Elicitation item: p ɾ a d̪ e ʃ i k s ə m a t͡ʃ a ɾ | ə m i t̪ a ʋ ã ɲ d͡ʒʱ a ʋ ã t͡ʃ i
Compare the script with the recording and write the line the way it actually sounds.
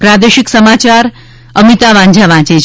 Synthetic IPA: p ɾ a d̪ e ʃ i k s ə m a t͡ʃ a ɾ | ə m i t̪ a ʋ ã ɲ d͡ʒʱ a ʋ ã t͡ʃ e